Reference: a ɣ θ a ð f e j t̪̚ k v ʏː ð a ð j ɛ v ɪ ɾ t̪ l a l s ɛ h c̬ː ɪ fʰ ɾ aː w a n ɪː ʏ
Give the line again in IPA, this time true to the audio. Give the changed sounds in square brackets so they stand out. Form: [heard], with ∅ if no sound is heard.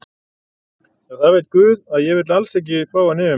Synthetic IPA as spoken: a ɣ θ a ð [v] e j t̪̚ k v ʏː ð a ð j ɛ v ɪ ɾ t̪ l a l s ɛ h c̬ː ɪ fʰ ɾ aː w a n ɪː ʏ